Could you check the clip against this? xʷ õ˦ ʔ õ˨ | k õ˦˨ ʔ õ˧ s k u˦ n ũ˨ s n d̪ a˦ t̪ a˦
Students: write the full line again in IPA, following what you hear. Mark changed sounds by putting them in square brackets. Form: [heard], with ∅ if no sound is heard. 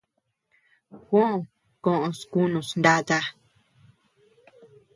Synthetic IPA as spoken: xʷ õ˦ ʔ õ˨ | k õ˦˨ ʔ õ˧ s k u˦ n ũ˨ s n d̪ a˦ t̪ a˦